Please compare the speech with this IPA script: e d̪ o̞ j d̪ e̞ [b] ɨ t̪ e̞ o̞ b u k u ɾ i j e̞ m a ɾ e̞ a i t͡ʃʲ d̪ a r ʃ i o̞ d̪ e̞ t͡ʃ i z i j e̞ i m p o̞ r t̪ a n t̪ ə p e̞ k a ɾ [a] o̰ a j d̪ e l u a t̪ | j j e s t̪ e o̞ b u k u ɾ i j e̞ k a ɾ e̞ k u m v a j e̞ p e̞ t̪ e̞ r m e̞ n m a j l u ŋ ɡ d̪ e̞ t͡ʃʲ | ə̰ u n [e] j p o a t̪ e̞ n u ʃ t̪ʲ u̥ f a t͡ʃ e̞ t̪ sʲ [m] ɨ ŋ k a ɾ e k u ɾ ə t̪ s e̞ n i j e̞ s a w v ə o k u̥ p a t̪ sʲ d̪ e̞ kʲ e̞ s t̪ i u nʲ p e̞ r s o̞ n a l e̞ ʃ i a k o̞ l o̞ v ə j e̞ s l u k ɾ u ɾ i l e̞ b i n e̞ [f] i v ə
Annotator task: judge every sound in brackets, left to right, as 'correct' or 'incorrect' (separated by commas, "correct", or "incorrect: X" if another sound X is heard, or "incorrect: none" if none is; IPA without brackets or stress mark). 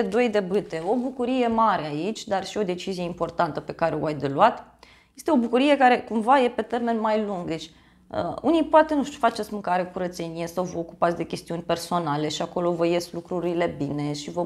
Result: correct, incorrect: e, incorrect: i, correct, incorrect: ʃ